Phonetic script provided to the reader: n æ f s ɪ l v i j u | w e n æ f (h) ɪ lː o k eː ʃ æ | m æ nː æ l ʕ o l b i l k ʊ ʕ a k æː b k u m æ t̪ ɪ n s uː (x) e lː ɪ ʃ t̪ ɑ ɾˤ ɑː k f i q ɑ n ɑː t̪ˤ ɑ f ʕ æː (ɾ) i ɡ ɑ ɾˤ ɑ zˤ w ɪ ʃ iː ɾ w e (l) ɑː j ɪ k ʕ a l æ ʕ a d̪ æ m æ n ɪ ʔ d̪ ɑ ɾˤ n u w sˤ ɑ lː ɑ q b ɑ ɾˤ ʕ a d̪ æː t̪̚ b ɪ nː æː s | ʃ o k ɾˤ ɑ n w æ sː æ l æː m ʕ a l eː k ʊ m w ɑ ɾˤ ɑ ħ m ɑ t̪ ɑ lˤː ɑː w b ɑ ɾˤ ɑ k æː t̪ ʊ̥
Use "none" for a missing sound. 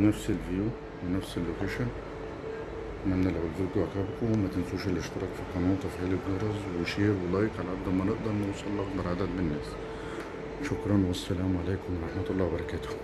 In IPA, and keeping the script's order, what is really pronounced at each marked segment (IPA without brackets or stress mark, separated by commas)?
s, ʃ, l, l